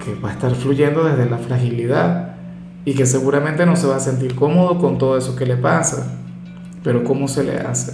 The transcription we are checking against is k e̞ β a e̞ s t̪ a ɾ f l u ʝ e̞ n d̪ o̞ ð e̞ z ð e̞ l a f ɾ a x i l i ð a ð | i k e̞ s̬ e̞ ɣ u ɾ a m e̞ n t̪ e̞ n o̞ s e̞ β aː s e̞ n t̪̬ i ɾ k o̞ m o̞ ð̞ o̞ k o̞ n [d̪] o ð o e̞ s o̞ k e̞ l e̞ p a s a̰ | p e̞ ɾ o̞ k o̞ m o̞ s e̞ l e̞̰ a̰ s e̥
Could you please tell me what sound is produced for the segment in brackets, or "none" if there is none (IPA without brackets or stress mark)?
t̪